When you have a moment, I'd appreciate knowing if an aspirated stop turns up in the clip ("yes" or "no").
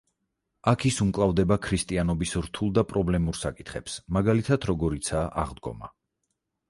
yes